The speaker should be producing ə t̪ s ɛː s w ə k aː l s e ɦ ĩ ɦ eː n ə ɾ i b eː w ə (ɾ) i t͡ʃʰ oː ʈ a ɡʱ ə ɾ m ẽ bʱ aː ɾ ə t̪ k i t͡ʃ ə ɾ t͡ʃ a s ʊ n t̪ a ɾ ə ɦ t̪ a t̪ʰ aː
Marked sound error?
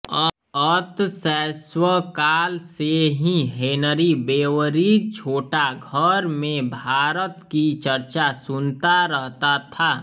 no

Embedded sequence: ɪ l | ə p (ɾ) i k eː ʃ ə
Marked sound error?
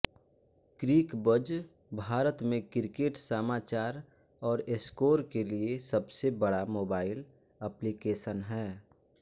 yes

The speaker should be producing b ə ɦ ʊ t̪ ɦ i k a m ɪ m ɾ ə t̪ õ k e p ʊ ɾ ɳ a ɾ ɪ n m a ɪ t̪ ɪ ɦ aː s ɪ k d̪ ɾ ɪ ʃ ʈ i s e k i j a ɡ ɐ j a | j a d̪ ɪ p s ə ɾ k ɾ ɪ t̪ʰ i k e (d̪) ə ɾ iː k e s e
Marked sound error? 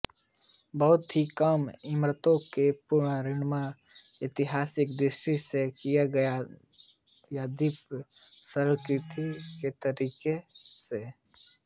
yes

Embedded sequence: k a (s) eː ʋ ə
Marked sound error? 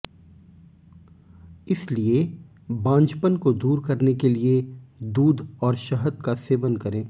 no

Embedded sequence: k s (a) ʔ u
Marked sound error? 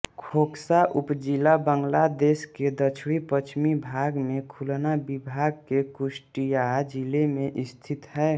no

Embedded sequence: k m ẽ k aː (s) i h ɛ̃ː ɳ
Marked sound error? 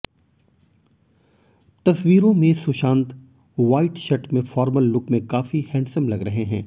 yes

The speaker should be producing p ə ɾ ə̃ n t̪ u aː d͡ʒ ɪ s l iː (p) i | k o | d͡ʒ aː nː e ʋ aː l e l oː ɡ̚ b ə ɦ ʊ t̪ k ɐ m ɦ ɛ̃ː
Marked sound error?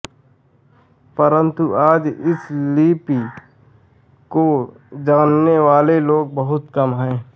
no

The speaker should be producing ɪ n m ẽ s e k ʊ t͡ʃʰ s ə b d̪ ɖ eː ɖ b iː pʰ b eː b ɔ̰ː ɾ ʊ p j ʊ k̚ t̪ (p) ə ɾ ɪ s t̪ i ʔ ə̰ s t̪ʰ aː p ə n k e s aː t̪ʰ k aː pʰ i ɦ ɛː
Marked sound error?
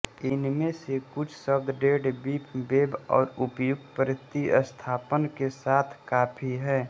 no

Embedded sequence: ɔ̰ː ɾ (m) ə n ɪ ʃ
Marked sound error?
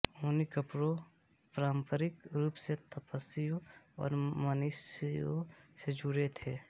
no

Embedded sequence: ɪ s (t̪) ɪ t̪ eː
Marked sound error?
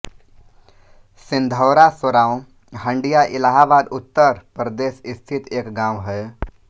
yes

